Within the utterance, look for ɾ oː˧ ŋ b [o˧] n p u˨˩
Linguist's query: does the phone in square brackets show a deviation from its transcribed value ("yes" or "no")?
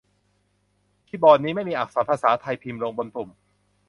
no